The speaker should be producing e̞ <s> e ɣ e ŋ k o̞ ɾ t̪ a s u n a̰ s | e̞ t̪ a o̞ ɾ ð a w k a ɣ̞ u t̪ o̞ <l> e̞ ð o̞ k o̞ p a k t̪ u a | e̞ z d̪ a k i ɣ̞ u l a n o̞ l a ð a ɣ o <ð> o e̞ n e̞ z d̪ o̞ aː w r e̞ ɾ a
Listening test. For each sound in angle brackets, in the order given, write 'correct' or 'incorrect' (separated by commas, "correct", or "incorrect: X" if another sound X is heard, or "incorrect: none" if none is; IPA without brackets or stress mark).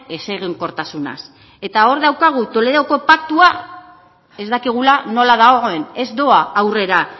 correct, correct, incorrect: ɣ